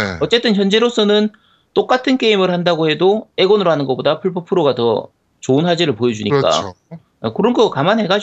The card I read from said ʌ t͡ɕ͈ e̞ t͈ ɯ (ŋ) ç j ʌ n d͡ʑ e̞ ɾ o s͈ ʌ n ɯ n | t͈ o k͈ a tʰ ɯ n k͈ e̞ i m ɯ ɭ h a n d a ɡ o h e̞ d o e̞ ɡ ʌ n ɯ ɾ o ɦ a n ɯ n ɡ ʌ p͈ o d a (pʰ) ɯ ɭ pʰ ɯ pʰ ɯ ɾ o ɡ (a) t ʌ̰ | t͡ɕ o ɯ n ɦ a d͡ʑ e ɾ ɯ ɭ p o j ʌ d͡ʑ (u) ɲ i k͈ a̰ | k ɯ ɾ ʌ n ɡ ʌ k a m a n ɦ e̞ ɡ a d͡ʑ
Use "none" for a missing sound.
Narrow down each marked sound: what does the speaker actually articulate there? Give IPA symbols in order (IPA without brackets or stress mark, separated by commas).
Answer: n, pʰ, a, u